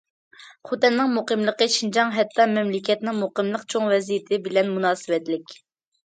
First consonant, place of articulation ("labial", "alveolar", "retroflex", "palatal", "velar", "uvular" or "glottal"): uvular